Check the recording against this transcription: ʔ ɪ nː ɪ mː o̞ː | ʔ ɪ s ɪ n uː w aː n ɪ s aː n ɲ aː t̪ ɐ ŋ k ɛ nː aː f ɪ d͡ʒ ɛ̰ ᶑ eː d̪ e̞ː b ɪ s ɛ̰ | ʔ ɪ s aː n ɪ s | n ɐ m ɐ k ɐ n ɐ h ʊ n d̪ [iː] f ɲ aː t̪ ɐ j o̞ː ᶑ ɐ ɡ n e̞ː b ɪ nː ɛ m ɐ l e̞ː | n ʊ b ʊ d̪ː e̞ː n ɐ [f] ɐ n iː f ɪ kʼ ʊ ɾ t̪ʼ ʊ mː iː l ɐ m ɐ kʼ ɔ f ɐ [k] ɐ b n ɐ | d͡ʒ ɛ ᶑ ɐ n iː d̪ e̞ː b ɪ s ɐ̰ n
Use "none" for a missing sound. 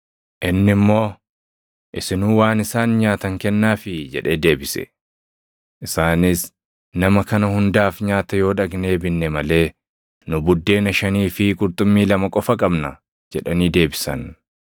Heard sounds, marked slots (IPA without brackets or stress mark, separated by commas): aː, ʃ, kʼ